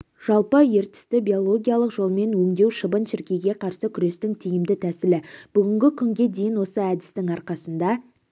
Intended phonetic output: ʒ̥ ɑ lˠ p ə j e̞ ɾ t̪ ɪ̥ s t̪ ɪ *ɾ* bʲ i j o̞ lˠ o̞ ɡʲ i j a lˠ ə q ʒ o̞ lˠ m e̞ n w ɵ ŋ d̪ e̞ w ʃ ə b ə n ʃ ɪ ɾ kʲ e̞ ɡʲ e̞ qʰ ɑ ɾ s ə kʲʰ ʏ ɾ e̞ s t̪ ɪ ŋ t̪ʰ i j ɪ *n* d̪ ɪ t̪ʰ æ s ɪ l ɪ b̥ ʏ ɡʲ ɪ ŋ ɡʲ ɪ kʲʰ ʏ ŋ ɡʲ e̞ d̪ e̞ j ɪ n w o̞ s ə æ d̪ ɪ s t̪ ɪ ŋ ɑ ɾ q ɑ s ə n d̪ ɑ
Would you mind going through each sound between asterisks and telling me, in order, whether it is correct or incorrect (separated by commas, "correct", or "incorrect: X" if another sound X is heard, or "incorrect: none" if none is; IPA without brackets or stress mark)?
incorrect: none, incorrect: m